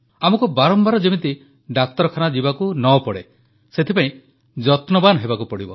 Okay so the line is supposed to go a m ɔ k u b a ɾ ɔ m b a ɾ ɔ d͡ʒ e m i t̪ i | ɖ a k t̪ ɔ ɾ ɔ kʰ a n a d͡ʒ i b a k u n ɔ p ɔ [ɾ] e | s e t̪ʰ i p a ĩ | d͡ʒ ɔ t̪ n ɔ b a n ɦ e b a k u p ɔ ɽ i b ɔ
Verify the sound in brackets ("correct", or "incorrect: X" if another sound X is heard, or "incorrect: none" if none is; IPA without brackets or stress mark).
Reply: incorrect: ɽ